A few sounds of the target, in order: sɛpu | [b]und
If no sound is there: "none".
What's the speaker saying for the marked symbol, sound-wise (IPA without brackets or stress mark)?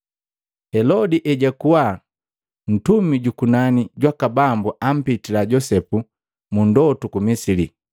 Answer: m